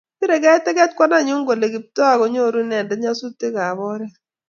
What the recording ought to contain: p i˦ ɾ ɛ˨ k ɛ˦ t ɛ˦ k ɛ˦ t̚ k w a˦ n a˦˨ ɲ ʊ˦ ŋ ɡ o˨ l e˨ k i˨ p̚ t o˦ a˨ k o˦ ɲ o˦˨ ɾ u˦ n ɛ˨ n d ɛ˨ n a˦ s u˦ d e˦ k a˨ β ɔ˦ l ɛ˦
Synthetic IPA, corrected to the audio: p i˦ ɾ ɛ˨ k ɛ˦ t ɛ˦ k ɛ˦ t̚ k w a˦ n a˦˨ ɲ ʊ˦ ŋ ɡ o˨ l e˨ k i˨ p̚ t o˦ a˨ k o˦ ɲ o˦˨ ɾ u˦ n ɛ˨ n d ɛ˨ ɲ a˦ s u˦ t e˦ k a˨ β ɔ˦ ɾ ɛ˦